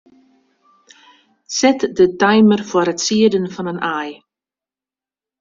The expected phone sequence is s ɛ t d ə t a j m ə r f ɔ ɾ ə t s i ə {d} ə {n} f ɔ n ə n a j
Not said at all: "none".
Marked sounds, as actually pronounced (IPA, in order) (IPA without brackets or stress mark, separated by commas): d, n